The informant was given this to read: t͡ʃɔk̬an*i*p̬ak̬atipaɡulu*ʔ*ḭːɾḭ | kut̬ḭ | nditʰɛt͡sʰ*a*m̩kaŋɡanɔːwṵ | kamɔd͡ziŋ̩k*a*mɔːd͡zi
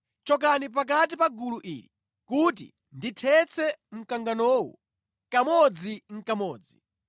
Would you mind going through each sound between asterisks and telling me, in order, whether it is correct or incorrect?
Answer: correct, correct, incorrect, correct

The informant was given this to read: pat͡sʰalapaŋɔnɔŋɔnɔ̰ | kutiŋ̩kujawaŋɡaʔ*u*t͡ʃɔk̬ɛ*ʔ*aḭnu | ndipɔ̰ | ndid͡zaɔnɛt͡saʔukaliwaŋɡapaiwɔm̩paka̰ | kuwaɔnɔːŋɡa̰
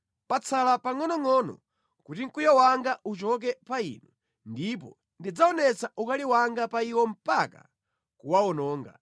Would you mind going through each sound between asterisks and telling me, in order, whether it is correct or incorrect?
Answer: correct, incorrect

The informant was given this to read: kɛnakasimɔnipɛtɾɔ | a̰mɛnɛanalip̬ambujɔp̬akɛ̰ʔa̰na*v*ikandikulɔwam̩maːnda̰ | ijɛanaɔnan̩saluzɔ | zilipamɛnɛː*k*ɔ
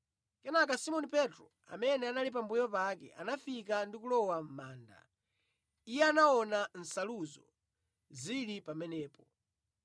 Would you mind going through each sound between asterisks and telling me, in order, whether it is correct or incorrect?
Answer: incorrect, incorrect

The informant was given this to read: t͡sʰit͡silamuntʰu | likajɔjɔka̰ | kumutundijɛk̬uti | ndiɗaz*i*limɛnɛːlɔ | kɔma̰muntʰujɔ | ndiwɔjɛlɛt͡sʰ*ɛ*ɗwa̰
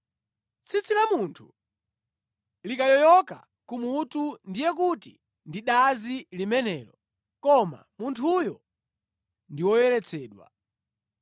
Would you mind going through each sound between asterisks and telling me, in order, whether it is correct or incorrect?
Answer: correct, incorrect

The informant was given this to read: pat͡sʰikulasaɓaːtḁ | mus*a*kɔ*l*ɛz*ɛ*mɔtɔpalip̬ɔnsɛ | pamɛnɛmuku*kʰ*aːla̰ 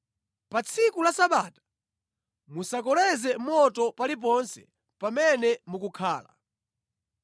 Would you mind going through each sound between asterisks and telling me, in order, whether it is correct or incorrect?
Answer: correct, correct, correct, correct

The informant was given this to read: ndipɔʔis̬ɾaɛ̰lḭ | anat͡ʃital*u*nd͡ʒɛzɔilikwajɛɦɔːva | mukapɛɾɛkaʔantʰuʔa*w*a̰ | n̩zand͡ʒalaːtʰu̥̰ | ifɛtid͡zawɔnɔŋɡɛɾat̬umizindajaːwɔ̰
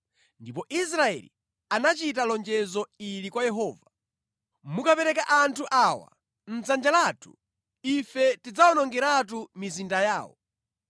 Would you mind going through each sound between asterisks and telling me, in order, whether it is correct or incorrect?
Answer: incorrect, correct

